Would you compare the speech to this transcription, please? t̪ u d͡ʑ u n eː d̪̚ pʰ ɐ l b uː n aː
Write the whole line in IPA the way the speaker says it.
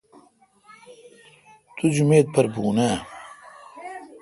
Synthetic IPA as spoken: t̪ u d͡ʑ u m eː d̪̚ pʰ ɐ ɾ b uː n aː